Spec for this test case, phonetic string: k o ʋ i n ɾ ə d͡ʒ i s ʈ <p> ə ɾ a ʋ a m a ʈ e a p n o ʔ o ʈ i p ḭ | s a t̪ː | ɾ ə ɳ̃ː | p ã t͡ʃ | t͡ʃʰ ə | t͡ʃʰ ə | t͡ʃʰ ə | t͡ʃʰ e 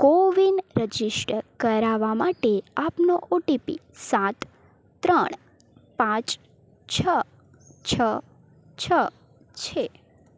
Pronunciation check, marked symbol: incorrect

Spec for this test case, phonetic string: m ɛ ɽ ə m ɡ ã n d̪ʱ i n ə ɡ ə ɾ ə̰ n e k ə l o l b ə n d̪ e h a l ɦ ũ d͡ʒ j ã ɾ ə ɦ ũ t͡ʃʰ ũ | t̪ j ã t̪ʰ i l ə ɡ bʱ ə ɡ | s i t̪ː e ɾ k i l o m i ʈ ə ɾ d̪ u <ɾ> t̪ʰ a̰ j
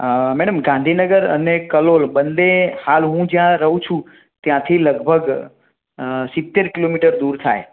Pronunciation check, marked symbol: correct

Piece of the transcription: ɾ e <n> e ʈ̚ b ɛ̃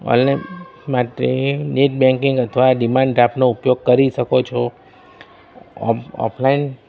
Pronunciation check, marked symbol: correct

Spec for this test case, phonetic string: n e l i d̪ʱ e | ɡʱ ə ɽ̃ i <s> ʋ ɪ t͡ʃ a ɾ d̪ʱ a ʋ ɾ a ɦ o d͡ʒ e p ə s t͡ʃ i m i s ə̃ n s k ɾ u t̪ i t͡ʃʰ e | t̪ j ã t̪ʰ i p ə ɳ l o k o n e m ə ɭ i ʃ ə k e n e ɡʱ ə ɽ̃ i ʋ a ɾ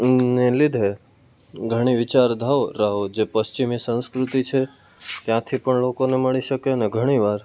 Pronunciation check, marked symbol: incorrect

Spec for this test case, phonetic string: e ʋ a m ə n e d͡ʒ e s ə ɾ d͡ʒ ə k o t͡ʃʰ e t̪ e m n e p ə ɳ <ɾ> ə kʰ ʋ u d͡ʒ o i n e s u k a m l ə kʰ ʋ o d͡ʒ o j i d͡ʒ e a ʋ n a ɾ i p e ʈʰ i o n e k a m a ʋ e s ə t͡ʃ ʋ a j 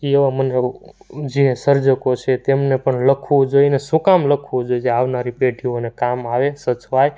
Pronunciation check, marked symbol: incorrect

